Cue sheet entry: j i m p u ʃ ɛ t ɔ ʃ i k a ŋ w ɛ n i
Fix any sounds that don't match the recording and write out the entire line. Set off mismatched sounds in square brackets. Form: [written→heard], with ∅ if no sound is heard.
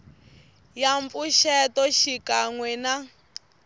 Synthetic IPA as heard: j [i→a] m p u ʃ ɛ t ɔ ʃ i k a ŋ w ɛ n [i→a]